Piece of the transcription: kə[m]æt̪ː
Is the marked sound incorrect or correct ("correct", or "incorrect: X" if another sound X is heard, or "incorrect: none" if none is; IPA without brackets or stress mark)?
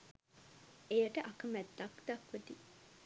correct